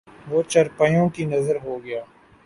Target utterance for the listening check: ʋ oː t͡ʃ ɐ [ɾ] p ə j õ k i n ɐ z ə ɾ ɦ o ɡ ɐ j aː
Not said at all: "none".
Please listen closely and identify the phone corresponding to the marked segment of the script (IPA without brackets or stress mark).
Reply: ɾ